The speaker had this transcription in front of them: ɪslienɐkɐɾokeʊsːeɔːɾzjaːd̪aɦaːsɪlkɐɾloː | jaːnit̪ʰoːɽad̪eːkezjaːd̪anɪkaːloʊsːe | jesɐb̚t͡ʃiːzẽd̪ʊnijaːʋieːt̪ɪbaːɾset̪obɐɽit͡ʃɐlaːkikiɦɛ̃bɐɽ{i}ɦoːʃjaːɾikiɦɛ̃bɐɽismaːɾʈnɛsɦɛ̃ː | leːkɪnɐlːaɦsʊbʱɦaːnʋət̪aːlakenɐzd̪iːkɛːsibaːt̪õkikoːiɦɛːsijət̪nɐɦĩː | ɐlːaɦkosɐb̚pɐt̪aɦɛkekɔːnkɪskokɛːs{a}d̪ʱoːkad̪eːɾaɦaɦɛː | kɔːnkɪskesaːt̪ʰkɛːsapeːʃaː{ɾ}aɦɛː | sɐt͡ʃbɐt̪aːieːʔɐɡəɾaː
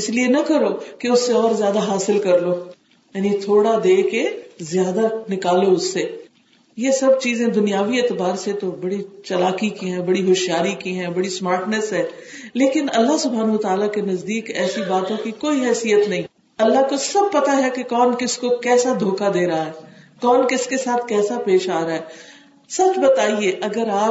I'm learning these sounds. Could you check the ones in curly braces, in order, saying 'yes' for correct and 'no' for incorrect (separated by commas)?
yes, yes, yes